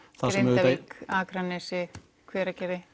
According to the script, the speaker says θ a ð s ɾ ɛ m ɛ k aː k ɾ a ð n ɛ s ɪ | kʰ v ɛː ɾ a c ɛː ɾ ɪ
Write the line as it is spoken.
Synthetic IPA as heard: θ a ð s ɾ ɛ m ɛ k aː k ɾ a n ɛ s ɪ | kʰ v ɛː ɾ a c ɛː ɾ ɪ